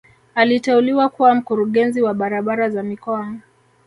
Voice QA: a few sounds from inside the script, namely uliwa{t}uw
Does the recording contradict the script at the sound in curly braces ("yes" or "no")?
yes